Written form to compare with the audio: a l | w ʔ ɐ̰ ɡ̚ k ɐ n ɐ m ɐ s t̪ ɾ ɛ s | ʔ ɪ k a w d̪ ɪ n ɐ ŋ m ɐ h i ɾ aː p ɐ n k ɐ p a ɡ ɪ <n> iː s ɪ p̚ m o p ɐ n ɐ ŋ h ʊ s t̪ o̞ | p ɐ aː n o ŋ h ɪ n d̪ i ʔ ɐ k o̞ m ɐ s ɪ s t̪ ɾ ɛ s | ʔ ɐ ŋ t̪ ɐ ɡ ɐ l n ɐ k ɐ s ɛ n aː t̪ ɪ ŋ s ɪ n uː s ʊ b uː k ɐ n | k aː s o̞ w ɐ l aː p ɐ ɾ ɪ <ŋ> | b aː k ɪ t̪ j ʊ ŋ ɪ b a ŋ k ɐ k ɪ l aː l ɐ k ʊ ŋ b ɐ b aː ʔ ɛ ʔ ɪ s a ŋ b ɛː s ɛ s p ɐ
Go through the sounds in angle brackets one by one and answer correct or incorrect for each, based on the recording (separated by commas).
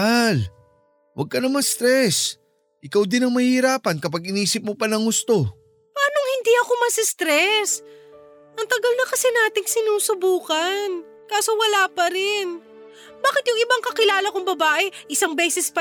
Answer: correct, incorrect